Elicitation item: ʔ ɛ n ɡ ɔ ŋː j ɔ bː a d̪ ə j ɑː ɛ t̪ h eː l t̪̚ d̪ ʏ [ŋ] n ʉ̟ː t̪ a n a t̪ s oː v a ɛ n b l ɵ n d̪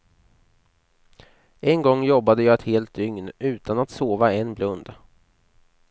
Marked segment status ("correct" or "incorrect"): correct